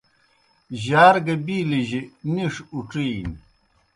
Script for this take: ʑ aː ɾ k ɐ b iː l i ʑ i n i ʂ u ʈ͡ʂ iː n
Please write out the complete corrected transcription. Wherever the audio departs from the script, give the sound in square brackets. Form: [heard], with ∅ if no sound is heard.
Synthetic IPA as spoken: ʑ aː ɾ [ɡ] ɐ b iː l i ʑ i n i ʂ u ʈ͡ʂ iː n